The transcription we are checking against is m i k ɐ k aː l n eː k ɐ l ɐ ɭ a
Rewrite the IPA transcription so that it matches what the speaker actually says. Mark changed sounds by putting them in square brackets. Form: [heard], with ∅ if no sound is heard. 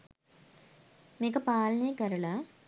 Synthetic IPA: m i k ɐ [p] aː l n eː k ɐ [ɾ] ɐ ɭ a